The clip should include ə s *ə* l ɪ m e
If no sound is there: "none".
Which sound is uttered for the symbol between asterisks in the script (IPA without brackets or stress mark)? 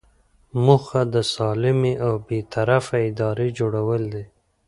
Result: ɑ